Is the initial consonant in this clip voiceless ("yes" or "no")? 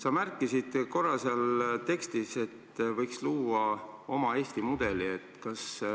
yes